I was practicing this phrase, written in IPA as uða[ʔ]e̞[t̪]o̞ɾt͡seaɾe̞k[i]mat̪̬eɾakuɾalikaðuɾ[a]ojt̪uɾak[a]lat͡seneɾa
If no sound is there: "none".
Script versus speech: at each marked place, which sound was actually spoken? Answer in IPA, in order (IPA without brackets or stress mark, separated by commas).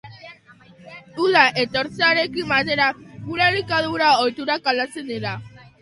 ʔ, t̪, i, a, a